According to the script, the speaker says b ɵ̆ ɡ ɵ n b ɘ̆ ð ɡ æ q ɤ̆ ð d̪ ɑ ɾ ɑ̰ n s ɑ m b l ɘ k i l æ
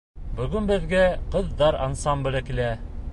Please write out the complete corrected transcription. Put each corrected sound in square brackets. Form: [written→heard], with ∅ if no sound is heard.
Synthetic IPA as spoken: b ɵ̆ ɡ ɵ n b ɘ̆ ð ɡ æ q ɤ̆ ð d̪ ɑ ɾ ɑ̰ n s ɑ m b l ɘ k i l æ